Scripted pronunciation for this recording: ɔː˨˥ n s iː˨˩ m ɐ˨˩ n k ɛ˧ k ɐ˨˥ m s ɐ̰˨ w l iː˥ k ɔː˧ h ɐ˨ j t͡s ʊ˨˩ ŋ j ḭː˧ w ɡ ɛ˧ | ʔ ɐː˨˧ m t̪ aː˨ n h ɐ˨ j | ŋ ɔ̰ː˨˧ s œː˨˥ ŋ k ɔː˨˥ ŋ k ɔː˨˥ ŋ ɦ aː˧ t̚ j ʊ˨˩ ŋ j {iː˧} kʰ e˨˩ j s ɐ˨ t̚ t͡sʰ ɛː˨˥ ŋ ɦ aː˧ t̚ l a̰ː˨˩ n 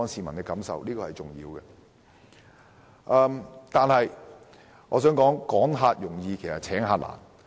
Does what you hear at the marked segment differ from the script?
no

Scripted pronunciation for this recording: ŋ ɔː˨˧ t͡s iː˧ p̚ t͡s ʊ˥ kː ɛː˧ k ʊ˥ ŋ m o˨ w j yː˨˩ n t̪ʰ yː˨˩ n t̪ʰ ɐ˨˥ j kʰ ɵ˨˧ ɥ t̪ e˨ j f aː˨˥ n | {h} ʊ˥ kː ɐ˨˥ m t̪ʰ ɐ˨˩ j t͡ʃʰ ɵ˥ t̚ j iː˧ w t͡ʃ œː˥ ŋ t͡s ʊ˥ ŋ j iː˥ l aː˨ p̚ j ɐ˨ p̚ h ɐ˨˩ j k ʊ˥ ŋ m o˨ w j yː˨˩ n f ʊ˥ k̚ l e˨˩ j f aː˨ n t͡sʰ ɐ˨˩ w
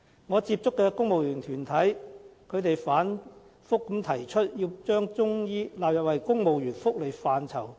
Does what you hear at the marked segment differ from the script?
yes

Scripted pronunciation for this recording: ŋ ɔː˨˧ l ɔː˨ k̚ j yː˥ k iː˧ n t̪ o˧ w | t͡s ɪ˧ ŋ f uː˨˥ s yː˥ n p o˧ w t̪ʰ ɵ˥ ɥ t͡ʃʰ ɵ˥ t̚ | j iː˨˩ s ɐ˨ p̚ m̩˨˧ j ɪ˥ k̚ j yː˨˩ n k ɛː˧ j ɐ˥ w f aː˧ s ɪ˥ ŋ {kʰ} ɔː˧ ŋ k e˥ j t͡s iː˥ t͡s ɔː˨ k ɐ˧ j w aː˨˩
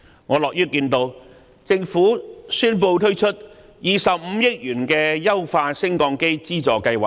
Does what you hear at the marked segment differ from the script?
yes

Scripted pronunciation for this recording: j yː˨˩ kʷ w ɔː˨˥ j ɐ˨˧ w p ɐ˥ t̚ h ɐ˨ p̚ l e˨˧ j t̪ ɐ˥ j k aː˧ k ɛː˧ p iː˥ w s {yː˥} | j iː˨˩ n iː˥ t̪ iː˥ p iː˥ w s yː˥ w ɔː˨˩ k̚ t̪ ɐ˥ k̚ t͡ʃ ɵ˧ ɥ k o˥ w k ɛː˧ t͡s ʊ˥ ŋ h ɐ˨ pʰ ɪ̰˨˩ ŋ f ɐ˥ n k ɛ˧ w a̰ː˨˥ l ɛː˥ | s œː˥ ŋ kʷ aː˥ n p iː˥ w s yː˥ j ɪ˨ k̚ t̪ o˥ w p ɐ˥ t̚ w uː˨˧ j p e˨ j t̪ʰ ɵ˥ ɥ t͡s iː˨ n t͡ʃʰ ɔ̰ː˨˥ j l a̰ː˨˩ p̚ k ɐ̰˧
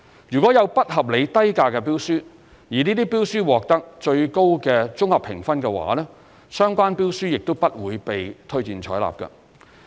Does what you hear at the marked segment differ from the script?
no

